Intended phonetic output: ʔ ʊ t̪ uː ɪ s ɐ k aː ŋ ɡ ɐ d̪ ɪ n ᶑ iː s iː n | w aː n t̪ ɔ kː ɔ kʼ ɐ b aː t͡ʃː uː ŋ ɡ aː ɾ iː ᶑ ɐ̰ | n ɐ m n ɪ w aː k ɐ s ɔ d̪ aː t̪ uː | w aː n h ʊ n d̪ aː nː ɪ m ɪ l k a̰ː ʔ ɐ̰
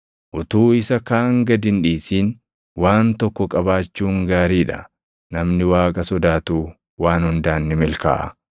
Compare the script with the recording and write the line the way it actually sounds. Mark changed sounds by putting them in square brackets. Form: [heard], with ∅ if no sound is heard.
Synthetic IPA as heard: ʔ ʊ t̪ uː ɪ s ɐ k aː ŋ ɡ ɐ d̪ ɪ n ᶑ iː s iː n | w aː n t̪ ɔ kː ɔ kʼ ɐ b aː t͡ʃː uː ŋ ɡ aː ɾ iː ᶑ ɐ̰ | n ɐ m n ɪ w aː [kʼ] ɐ s ɔ d̪ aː t̪ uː | w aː n h ʊ n d̪ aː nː ɪ m ɪ l k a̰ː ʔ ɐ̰